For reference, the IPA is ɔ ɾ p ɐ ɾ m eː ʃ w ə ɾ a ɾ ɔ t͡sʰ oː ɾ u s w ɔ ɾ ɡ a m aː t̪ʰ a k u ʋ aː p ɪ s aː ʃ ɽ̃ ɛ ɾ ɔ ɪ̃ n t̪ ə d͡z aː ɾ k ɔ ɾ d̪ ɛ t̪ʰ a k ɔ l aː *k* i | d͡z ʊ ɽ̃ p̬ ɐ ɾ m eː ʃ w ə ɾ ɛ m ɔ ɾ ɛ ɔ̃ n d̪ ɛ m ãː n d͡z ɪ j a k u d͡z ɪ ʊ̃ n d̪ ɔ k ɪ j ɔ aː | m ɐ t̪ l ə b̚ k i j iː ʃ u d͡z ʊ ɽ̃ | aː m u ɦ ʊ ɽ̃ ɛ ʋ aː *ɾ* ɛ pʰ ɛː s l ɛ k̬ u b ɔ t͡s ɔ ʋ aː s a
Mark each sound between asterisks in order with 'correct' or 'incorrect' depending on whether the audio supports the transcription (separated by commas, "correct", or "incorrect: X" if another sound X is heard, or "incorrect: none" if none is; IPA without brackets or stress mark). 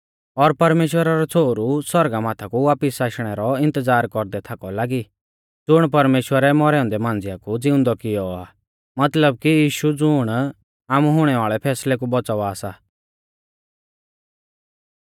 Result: incorrect: ɡ, incorrect: ɭ